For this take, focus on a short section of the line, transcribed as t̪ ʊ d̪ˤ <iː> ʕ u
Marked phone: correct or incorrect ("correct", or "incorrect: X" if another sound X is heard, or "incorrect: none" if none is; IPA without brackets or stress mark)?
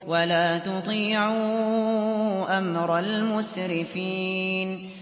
correct